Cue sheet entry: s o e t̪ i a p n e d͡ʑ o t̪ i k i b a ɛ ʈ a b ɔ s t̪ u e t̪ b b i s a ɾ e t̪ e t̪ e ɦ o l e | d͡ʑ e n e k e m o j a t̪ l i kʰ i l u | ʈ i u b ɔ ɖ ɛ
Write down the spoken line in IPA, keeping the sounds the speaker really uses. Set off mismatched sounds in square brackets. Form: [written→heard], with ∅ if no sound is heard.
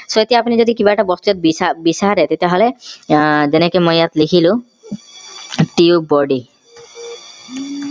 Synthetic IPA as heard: s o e t̪ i a p n [e→i] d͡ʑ o [t̪→d̪] i k i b a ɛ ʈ a b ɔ s t̪ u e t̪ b b i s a ɾ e t̪ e t̪ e ɦ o l e | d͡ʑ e n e k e m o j a t̪ l i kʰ i l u | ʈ i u b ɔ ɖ [ɛ→i]